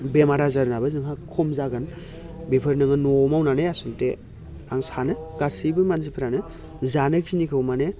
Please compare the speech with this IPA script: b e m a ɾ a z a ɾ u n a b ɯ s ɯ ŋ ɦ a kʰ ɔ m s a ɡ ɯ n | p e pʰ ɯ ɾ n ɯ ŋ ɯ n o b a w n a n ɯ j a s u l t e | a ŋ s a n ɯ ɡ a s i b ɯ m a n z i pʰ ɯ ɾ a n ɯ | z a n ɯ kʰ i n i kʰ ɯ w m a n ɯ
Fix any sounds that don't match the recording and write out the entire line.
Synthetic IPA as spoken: b e m a ɾ a z a ɾ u n a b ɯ z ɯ ŋ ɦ a kʰ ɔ m z a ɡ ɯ n | b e pʰ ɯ ɾ n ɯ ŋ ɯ n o m a w n a n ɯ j a s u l t e | a ŋ s a n ɯ ɡ a s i b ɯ m a n z i pʰ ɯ ɾ a n ɯ | z a n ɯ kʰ i n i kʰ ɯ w m a n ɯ